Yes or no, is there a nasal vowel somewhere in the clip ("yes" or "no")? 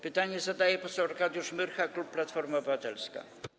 no